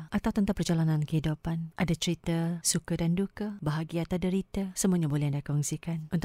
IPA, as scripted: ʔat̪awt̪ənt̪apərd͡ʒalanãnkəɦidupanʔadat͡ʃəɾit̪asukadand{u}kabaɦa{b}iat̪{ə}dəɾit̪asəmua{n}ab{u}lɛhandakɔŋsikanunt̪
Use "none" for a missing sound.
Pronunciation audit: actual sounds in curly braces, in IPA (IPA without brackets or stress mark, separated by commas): u, ɡ, a, ɲ, o